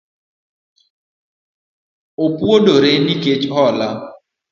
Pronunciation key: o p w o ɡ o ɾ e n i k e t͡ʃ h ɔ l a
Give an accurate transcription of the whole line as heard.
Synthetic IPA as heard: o p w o d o ɾ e n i k e t͡ʃ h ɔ l a